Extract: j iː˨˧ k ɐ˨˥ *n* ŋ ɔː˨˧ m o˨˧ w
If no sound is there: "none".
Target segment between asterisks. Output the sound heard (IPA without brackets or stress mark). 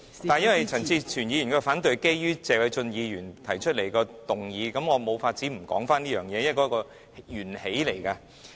m